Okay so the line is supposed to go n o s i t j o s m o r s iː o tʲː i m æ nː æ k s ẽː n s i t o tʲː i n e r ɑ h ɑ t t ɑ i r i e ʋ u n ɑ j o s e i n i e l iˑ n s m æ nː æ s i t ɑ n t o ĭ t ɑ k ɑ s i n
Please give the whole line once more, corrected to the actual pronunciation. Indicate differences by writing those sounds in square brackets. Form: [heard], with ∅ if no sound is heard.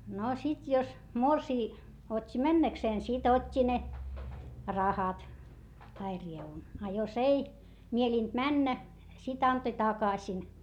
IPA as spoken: n o s i t j o s m o r s iː o tʲː i m æ nː æ k s [eː] n s i t o tʲː i n e r ɑ h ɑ t t ɑ i r i e ʋ u n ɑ j o s e i [m] i e l iˑ n [t] m æ nː æ s i t ɑ n t o ĭ t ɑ k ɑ s i n